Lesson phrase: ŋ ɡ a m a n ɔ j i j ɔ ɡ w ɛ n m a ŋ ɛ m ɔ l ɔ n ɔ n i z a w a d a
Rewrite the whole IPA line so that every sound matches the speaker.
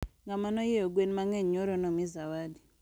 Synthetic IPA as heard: ŋ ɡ a m a n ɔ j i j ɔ ɡ w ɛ n m a ŋ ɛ ɲ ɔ ɾ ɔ n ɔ m i z a w a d i